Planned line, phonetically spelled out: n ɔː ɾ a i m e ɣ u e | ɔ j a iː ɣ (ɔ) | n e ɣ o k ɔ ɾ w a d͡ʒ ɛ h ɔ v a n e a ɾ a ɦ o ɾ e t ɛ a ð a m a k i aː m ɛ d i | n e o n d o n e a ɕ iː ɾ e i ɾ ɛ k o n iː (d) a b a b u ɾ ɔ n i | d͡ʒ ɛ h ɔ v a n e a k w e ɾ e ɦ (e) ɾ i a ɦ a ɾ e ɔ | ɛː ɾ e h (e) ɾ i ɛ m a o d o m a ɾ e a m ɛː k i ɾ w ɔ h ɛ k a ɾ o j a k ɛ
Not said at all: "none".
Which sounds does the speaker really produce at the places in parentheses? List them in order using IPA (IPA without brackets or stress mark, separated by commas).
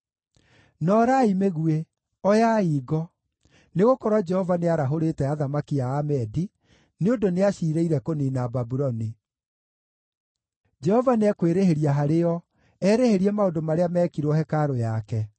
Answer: ɔ, n, e, e